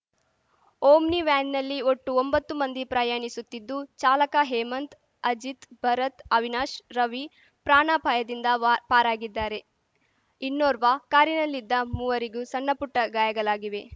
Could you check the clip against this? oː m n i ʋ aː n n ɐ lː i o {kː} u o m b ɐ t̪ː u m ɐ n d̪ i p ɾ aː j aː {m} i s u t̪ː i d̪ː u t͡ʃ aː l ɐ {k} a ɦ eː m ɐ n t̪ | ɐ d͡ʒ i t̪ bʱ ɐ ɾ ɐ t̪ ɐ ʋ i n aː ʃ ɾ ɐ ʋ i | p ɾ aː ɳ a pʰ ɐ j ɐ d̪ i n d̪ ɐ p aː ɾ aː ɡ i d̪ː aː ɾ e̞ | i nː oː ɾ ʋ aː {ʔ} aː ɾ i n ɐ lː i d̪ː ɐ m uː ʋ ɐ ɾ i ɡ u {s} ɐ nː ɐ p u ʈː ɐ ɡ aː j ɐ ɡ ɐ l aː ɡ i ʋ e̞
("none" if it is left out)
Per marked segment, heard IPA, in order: ʈː, ɳ, k, k, s

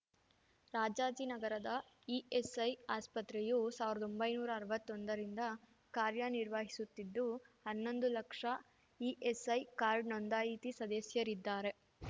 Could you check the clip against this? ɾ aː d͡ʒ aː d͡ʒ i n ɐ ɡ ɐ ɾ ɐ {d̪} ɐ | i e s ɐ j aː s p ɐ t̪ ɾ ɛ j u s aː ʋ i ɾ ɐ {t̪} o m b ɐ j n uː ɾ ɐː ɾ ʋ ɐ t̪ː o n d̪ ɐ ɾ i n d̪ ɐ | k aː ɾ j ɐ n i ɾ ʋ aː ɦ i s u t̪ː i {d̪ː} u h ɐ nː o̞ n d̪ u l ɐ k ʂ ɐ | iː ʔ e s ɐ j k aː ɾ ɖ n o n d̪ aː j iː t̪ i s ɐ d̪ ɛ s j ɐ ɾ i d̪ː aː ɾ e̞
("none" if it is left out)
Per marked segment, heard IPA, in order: d̪, d̪, d̪ː

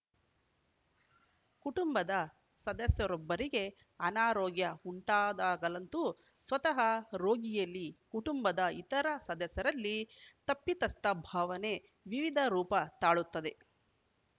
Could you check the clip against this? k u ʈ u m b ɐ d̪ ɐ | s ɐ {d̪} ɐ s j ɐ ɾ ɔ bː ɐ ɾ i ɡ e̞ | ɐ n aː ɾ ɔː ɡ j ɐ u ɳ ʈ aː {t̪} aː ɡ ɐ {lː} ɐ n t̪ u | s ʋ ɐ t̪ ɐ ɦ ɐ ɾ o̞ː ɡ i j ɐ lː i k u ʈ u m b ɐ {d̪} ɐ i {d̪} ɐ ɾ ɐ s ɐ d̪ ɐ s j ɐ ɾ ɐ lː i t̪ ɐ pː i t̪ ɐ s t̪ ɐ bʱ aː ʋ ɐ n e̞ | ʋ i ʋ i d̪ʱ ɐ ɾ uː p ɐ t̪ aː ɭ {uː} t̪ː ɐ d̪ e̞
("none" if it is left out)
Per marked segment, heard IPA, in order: d̪, d̪, l, d̪, t̪, u

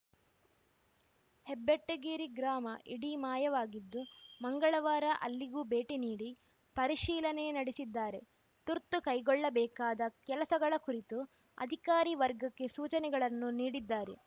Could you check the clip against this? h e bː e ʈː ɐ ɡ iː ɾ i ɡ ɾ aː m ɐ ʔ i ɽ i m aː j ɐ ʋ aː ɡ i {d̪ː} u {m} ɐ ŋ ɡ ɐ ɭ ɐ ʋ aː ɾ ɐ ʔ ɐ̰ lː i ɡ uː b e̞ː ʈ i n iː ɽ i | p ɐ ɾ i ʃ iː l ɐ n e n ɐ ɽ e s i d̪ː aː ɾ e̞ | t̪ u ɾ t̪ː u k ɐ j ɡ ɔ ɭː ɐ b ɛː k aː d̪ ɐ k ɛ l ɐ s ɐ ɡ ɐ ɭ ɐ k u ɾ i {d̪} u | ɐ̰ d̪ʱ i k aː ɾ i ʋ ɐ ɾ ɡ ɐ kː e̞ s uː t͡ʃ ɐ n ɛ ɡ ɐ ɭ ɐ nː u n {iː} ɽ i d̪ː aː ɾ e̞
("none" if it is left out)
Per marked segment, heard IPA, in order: d̪ː, m, t̪, iː

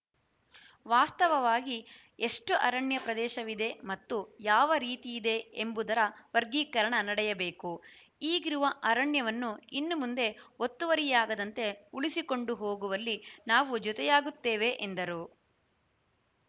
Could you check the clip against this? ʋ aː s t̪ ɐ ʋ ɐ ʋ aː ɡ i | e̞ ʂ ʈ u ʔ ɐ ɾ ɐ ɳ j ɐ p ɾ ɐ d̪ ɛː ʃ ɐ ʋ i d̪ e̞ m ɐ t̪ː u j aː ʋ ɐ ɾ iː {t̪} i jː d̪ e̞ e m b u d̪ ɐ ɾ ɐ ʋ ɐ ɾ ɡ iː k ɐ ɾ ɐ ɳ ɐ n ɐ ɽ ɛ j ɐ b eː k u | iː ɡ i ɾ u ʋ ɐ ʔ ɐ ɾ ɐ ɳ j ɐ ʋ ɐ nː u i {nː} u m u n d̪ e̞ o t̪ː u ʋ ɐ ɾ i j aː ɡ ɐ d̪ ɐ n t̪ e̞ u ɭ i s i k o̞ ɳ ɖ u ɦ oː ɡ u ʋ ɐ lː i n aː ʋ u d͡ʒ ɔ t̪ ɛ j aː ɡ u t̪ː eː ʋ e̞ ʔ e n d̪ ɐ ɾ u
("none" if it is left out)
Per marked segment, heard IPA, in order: t̪, nː

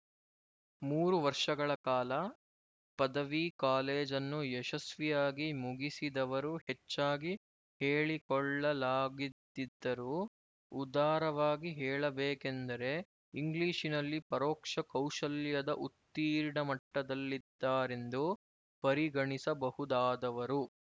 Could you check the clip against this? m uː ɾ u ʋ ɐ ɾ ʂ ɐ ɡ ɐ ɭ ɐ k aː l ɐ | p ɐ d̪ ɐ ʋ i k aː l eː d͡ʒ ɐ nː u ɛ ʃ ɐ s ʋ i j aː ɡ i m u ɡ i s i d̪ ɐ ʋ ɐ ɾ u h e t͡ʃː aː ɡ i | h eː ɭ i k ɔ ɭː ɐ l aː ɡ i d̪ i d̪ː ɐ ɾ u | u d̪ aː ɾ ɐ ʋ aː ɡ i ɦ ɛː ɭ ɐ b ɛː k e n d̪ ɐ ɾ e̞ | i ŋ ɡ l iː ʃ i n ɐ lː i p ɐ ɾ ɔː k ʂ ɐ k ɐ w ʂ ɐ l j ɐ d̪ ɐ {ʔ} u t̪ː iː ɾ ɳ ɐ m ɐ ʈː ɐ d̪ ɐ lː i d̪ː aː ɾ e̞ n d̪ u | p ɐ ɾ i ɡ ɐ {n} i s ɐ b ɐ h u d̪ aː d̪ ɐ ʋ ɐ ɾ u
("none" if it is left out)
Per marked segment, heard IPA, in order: ʔ, ɳ

